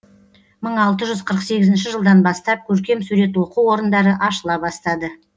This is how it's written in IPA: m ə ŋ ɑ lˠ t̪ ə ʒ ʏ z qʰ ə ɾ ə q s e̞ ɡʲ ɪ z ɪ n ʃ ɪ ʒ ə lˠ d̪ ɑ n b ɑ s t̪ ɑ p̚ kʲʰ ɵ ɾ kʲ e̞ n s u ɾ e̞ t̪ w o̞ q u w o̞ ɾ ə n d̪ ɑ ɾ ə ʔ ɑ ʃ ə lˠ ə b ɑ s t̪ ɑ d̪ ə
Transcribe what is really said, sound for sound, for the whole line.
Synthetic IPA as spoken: m ə ɴ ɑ lˠ t̪ ə ʒ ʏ z qʰ ə ɾ ə q s e̞ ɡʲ ɪ z ɪ n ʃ ɪ ʒ ə lˠ d̪ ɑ n b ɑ s t̪ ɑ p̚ kʲʰ ɵ ɾ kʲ e̞ m s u ɾ e̞ t̪ w o̞ q u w o̞ ɾ ə n d̪ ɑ ɾ ə ʔ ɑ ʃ ə lˠ ɑ b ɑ s t̪ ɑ d̪ ə